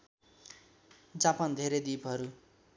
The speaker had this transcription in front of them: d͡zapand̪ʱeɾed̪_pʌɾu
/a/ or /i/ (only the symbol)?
i